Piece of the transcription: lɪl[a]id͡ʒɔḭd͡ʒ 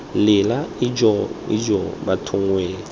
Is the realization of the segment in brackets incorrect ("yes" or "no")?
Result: no